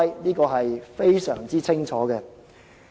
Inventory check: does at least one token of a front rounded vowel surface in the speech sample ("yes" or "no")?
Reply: yes